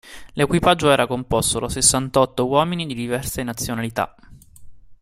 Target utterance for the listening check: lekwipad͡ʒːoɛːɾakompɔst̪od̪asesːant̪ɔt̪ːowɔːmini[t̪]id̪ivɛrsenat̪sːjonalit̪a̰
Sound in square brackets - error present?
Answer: yes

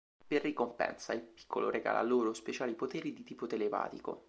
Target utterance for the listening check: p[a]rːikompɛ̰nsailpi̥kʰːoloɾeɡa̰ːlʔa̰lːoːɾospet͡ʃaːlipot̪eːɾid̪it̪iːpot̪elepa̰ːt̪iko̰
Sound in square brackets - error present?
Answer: yes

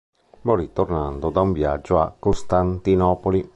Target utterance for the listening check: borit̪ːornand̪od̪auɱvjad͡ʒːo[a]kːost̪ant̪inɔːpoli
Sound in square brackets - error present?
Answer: no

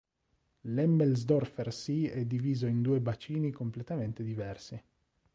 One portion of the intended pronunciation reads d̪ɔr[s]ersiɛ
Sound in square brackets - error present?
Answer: yes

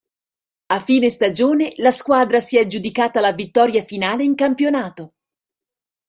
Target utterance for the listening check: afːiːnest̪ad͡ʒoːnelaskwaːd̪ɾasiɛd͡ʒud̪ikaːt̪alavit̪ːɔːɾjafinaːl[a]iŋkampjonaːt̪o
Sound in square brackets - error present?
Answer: yes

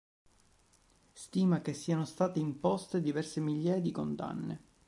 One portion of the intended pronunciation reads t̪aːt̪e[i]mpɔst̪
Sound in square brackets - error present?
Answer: no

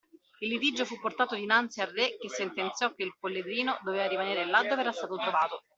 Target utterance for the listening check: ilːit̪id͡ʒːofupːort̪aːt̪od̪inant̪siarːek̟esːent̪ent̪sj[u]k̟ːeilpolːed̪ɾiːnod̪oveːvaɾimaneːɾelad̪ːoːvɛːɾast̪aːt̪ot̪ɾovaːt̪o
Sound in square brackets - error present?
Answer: yes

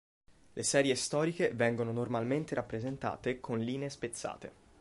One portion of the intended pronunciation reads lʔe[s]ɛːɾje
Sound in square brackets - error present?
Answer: no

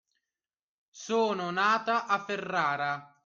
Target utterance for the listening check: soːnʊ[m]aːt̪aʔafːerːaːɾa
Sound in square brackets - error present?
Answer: yes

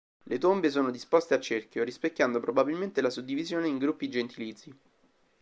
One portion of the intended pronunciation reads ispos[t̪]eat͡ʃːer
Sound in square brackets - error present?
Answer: no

